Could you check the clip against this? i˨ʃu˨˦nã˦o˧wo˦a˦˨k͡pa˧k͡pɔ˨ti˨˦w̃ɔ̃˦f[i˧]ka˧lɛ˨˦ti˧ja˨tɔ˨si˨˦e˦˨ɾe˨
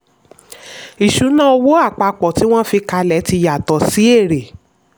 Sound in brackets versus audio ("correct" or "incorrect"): correct